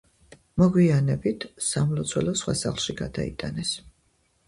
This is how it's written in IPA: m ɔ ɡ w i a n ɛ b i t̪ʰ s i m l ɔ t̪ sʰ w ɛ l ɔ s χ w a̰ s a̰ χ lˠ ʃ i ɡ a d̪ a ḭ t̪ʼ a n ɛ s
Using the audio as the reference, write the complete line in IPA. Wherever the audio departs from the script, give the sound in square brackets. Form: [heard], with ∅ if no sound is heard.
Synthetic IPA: m ɔ ɡ w i a n ɛ b i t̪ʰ s [a] m l ɔ t̪ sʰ w ɛ l ɔ s χ w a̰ s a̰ χ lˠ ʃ i ɡ a d̪ a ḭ t̪ʼ a n ɛ s

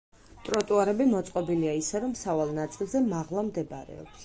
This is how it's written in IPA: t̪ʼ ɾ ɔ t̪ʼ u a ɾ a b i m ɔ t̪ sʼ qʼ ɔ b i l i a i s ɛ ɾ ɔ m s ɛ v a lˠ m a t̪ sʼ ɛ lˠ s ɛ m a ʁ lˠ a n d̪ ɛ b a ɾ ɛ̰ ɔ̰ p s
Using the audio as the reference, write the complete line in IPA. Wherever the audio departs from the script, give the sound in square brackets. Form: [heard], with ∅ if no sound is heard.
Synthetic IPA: t̪ʼ ɾ ɔ t̪ʼ u a ɾ [ɛ] b i m ɔ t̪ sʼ qʼ ɔ b i l i a i s ɛ ɾ ɔ m s [a] v a lˠ [n] a t̪ sʼ [i] lˠ [z] ɛ m a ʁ lˠ a [m] d̪ ɛ b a ɾ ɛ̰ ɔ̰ p s

